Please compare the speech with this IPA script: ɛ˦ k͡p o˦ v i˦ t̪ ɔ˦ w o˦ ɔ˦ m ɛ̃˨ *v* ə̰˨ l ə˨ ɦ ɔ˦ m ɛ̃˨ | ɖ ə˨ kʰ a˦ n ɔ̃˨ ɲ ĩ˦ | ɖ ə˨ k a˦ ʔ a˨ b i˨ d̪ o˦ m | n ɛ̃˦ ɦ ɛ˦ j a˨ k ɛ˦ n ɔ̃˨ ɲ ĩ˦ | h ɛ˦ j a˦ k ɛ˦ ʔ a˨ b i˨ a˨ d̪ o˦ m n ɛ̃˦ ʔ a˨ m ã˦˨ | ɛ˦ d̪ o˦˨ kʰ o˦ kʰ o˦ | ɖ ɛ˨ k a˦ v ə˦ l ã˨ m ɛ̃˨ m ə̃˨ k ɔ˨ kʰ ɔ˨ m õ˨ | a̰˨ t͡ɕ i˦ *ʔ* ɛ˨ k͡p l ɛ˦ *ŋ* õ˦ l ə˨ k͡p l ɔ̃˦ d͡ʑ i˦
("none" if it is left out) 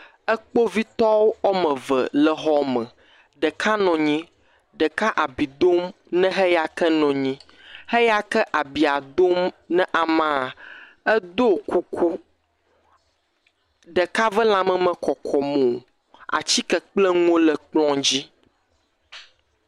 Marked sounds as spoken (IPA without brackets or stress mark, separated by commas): v, k, ŋ